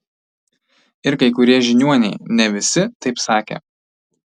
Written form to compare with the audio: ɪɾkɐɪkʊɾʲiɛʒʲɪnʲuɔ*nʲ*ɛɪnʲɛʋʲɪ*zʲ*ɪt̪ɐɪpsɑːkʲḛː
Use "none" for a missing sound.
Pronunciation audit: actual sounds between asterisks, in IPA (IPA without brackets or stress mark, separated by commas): nʲ, sʲ